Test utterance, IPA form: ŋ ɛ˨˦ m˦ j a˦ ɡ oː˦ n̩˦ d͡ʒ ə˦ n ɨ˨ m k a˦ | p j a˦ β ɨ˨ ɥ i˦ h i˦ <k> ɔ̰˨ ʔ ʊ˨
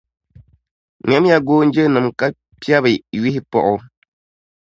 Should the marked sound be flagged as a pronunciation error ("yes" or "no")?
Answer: yes